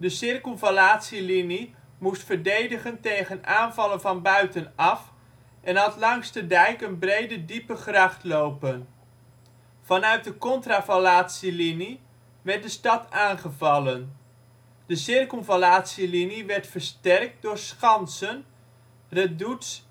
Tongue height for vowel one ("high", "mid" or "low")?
mid